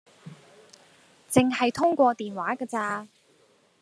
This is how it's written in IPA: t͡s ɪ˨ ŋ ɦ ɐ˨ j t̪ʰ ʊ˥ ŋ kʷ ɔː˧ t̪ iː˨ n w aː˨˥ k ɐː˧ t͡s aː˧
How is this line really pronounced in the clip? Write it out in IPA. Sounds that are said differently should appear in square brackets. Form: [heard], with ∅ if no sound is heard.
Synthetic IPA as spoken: t͡s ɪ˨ ŋ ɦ ɐ˨ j t̪ʰ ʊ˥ ŋ kʷ ɔː˧ t̪ iː˨ n w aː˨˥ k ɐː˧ t͡s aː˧